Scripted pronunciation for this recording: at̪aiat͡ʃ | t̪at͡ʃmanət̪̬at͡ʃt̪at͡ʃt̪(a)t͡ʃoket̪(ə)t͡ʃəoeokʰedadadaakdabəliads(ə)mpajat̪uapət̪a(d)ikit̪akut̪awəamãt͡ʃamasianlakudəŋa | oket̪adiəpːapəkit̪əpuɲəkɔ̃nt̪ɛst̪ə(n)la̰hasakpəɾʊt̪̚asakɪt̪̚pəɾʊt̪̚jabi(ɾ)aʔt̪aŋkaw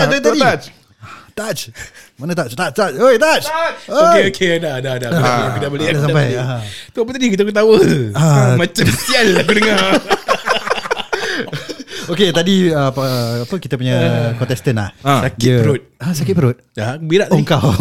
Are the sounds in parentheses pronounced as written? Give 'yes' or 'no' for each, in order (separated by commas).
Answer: yes, no, no, yes, yes, yes